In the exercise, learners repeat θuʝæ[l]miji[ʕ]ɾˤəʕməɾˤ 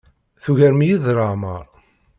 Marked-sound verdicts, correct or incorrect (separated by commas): incorrect, incorrect